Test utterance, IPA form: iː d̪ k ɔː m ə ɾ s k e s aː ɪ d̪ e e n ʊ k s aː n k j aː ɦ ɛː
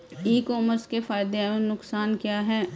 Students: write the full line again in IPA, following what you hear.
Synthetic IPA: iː k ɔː m ə ɾ s k e f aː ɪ d̪ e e n ʊ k s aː n k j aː ɦ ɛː

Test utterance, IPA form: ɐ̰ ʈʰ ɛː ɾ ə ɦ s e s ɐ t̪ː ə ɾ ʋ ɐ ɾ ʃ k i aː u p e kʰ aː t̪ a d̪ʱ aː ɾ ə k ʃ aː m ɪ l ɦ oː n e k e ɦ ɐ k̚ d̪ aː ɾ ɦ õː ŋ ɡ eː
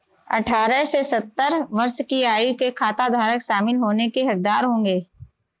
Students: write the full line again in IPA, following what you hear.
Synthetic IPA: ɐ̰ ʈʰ aː ɾ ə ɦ s e s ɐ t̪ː ə ɾ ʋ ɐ ɾ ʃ k i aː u k e kʰ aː t̪ a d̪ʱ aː ɾ ə k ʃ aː m ɪ l ɦ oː n e k e ɦ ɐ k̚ d̪ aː ɾ ɦ õː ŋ ɡ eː

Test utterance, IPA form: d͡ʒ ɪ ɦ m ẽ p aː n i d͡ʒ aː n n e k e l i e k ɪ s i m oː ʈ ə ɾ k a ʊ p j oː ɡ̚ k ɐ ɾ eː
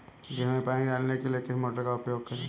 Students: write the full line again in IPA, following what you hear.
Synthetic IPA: d͡ʒ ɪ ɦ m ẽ p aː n i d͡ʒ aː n n e k e l i e k ɪ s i m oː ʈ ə ɾ k a ʊ p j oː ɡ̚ k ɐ ɾ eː

